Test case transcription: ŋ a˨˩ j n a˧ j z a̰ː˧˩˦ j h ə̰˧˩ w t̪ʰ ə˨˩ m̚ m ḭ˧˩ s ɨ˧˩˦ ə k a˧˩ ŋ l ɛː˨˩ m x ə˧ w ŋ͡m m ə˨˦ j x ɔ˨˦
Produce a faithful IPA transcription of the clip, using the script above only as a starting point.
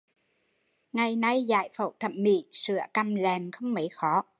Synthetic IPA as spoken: ŋ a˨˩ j n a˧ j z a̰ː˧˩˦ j f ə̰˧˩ w t̪ʰ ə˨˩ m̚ m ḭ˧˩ s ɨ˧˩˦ ə k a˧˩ m l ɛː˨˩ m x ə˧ w ŋ͡m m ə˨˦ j x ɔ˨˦